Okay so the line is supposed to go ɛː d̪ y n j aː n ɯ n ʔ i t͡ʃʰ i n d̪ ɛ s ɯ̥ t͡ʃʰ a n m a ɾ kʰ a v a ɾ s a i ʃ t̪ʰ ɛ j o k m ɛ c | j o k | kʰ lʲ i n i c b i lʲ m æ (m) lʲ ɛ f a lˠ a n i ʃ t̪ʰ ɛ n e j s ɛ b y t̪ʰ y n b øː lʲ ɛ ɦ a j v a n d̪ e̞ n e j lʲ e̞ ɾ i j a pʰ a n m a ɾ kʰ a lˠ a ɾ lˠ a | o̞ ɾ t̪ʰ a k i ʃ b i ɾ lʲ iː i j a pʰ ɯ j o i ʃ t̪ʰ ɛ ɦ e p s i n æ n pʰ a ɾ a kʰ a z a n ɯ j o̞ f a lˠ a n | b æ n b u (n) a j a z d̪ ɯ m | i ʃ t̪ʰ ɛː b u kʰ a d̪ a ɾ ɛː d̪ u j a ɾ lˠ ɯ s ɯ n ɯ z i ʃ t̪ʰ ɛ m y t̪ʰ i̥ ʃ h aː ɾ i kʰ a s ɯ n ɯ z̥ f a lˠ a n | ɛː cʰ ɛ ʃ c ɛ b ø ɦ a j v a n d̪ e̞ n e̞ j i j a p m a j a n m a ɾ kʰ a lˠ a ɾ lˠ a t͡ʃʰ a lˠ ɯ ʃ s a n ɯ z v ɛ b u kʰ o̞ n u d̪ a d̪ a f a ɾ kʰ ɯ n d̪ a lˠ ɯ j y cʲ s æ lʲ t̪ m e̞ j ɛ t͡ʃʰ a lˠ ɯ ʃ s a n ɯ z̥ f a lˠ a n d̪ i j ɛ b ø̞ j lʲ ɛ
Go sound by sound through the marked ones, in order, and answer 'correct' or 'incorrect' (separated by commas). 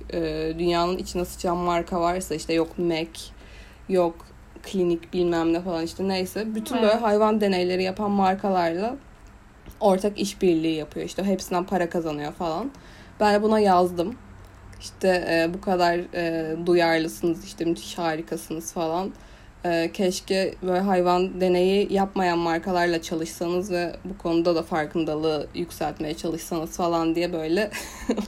correct, correct